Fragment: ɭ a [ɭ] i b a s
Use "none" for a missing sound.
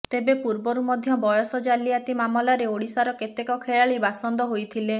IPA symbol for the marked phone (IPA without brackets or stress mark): ɭ